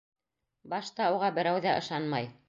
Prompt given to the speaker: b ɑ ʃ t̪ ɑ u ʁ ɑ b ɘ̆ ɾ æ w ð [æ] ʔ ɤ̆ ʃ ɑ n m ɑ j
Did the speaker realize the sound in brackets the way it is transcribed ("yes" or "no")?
yes